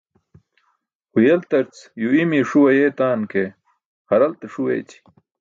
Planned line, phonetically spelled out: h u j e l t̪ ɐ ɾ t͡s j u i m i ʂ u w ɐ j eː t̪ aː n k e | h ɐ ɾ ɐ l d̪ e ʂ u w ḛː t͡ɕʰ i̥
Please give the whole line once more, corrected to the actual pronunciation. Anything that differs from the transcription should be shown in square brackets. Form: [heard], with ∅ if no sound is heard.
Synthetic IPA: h u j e l t̪ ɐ ɾ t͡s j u i m i ʂ u w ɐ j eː t̪ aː n k e | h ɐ ɾ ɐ l [t̪] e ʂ u w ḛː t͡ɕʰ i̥